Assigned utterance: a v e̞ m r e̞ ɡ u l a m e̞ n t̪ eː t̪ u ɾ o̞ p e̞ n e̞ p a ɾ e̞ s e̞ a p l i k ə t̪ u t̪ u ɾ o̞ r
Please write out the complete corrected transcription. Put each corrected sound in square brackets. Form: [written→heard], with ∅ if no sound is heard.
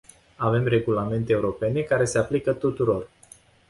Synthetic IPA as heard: a v e̞ m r e̞ ɡ u l a m e̞ n t̪ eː [t̪→∅] u ɾ o̞ p e̞ n e̞ [p→k] a ɾ e̞ s e̞ a p l i k ə t̪ u t̪ u ɾ o̞ r